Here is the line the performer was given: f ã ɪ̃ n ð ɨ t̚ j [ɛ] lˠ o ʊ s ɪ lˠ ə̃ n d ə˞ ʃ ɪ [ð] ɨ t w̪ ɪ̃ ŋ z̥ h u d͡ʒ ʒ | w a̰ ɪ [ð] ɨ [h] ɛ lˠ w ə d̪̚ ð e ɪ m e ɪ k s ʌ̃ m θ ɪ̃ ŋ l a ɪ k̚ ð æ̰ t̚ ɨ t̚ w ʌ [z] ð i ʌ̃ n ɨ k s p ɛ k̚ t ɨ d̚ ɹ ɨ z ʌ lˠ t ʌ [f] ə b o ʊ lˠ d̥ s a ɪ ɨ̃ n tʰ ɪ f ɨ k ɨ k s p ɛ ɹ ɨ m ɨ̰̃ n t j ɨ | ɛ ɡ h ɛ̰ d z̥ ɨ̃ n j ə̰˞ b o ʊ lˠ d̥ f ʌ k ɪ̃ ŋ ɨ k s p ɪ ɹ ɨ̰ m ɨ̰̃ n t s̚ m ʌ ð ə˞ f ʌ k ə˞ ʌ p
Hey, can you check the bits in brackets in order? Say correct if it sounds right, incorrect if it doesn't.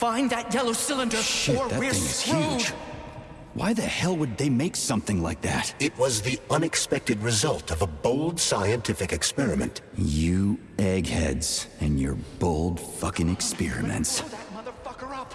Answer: correct, correct, correct, correct, correct, incorrect: v

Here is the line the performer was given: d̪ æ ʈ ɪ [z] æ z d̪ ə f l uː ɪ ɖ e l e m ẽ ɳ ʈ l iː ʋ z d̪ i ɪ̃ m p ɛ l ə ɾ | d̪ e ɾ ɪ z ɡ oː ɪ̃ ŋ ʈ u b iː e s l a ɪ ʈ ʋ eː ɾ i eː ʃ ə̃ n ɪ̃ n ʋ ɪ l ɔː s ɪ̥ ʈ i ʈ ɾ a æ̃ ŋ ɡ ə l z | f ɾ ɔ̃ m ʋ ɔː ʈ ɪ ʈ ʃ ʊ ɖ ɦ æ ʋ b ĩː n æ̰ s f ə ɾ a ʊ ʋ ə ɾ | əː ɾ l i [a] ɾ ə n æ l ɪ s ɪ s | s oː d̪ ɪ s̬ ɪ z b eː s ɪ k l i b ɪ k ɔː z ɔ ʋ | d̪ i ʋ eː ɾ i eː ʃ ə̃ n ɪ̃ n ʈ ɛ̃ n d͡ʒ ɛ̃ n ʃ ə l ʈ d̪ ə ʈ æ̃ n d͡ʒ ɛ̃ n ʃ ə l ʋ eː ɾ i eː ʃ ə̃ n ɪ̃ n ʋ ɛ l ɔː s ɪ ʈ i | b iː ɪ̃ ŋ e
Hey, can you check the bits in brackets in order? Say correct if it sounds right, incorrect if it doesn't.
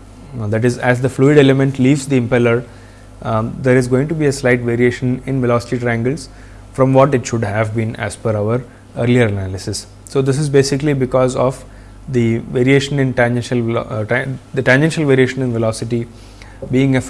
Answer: correct, incorrect: ə

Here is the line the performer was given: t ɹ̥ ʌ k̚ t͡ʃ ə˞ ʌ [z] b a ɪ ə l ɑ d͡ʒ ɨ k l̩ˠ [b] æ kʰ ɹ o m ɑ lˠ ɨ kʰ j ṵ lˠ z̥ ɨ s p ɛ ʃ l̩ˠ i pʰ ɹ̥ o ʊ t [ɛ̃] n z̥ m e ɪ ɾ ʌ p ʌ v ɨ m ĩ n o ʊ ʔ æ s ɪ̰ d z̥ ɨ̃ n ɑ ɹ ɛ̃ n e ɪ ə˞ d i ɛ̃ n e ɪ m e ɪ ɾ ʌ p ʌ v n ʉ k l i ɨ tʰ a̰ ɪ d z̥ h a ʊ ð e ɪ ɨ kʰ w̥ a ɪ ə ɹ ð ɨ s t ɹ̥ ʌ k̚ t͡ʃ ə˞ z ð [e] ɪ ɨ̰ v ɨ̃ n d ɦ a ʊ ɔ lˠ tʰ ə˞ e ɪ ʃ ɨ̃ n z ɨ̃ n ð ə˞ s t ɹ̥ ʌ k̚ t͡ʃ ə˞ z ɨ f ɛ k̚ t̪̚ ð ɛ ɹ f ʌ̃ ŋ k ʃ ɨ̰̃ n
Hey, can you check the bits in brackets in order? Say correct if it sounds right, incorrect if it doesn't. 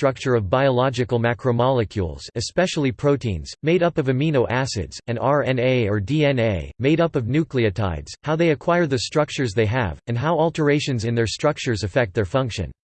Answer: incorrect: v, incorrect: m, incorrect: ĩ, correct

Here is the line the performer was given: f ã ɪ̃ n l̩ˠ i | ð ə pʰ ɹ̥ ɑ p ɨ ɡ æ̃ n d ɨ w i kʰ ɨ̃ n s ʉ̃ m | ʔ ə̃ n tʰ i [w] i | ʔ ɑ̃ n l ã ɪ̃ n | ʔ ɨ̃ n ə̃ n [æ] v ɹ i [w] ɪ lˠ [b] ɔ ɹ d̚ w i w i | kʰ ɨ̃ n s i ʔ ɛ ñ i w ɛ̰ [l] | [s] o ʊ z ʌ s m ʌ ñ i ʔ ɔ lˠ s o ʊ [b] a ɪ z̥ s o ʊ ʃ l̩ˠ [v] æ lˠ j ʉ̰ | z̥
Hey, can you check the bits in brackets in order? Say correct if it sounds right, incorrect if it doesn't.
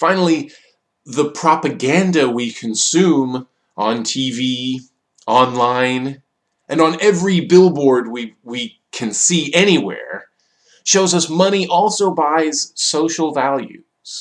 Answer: incorrect: v, incorrect: ɛ, incorrect: b, correct, incorrect: ɹ, incorrect: ʃ, correct, correct

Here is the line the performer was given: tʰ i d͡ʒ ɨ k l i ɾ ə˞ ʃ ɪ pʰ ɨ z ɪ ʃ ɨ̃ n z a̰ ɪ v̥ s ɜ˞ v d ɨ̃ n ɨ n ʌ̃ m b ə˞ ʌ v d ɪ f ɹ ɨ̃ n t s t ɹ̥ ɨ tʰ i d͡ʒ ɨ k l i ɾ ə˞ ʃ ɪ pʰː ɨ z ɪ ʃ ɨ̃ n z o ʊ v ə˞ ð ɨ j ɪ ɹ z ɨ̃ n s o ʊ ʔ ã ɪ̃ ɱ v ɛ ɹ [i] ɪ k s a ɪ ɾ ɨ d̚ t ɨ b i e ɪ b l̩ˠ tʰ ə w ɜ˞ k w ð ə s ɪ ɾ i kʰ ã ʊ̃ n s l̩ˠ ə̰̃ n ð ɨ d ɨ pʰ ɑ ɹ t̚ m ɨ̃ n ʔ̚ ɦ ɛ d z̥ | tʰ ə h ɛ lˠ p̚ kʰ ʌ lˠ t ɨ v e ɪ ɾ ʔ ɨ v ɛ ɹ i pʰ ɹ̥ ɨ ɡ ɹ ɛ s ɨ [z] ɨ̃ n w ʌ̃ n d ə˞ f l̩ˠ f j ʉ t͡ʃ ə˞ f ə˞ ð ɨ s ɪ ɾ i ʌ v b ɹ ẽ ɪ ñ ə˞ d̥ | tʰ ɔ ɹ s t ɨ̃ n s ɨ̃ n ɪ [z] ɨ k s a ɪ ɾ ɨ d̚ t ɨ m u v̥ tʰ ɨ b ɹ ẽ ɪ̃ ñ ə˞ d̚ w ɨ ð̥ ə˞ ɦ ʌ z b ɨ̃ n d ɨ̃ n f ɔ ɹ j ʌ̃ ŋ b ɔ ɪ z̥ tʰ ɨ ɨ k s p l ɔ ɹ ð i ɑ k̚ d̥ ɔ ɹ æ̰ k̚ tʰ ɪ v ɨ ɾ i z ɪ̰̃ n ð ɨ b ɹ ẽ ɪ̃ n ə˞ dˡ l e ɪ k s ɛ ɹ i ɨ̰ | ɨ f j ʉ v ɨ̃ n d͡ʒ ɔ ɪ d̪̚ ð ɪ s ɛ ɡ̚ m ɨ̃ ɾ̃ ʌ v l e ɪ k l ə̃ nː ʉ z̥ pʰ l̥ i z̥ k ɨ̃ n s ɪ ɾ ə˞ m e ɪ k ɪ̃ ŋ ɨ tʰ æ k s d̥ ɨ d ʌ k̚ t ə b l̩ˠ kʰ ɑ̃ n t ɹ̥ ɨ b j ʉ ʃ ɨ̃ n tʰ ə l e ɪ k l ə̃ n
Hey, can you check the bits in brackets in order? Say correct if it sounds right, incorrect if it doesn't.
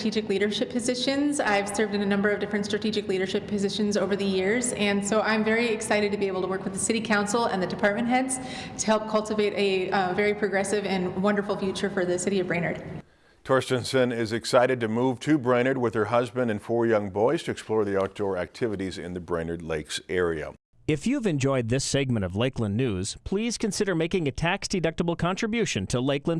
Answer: correct, incorrect: v, correct

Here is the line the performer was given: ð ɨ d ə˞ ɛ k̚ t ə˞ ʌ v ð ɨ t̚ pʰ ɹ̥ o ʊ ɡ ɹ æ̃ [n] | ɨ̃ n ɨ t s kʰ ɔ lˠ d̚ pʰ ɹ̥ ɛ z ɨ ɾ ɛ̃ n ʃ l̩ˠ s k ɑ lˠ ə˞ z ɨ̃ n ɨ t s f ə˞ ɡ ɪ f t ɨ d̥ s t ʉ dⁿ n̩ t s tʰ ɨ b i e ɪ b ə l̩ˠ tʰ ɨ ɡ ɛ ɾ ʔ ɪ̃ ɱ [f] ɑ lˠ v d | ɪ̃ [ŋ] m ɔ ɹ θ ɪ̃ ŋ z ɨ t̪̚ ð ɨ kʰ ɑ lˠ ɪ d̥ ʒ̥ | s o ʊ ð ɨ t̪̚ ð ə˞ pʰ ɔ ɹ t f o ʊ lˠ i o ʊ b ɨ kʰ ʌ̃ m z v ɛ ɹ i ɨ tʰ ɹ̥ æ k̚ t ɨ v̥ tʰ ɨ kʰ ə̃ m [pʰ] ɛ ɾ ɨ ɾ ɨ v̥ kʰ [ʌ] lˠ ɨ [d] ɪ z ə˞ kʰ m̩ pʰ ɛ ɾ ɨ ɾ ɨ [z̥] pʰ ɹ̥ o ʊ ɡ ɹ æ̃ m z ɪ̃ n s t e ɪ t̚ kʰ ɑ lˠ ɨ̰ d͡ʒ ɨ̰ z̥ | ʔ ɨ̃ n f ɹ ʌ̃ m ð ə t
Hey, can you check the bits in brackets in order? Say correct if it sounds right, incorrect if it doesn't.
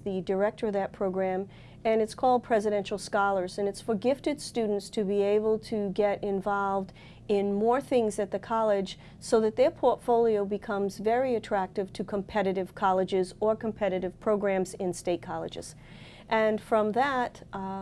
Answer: incorrect: m, incorrect: v, incorrect: n, correct, incorrect: ɑ, incorrect: d͡ʒ, incorrect: v̥

